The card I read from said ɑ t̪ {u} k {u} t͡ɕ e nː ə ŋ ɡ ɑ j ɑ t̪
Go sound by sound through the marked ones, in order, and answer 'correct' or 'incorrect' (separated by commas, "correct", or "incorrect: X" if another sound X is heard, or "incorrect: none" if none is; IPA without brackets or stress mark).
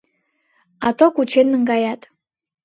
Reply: incorrect: o, correct